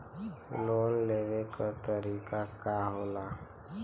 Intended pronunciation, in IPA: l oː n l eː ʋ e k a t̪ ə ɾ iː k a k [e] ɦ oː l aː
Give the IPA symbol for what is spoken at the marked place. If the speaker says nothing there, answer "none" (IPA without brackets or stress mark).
a